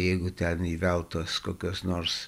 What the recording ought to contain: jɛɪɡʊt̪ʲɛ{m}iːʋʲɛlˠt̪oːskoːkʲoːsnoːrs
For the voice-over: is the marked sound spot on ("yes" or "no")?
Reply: no